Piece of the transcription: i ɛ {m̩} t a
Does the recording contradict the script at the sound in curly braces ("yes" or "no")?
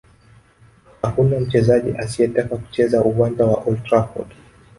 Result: yes